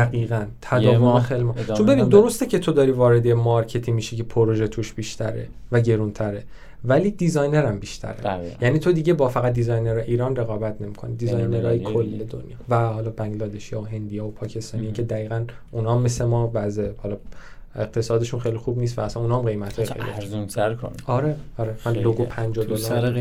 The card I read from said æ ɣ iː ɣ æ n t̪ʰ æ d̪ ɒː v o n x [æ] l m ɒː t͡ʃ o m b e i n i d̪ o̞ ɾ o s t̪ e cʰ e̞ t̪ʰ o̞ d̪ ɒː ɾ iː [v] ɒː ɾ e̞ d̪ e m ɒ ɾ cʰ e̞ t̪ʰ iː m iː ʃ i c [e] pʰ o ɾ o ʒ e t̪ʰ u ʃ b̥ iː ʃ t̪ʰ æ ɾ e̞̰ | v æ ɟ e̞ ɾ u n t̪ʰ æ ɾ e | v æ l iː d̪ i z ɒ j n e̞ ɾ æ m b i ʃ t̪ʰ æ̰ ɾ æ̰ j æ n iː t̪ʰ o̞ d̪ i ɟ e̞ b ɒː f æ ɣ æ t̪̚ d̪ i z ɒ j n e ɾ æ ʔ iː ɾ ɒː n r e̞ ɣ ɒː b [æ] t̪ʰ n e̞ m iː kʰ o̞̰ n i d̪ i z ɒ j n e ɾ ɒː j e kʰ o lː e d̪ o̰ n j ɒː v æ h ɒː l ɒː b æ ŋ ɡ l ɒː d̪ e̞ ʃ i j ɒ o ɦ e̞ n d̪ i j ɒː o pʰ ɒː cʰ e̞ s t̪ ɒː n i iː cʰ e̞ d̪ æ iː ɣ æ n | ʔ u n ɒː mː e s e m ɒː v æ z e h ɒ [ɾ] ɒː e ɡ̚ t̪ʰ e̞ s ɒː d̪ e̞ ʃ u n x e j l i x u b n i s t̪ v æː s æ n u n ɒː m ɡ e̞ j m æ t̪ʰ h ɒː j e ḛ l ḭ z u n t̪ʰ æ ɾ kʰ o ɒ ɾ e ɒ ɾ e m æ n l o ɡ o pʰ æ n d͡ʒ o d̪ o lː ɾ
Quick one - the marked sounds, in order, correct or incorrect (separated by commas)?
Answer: incorrect, correct, correct, correct, incorrect